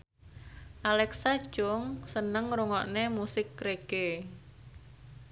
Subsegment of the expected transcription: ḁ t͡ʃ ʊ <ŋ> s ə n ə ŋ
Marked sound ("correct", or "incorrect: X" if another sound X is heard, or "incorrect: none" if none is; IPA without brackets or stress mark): correct